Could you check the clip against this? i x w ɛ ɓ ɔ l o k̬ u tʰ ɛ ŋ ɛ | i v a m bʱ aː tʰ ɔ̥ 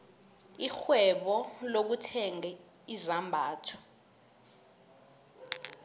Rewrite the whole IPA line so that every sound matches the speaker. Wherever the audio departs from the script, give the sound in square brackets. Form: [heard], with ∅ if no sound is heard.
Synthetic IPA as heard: i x w ɛ ɓ ɔ l o k̬ u tʰ ɛ ŋ ɛ | i [z] a m bʱ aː tʰ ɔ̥